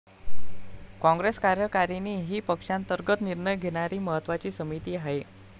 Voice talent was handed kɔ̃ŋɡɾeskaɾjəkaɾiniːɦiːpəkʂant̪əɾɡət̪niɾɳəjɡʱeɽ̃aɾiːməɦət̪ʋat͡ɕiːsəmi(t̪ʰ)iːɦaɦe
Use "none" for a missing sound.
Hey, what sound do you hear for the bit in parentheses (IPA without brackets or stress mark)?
t̪